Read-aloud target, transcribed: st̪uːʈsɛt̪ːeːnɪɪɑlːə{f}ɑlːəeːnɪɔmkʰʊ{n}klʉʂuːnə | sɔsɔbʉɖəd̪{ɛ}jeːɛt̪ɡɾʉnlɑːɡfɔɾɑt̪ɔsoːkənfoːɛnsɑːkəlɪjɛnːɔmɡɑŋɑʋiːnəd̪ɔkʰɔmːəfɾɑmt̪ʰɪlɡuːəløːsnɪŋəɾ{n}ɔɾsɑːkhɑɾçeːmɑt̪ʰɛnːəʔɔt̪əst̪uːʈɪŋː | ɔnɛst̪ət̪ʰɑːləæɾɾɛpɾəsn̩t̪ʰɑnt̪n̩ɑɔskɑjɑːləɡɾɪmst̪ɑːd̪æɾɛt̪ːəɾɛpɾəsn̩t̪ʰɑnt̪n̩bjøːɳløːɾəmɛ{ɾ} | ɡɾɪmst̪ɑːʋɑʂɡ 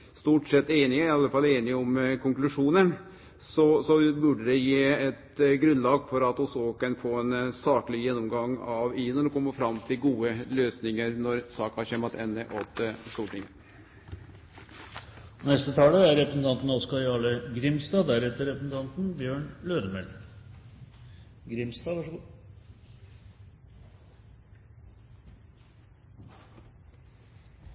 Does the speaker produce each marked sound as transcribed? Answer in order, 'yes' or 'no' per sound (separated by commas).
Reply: yes, no, yes, yes, no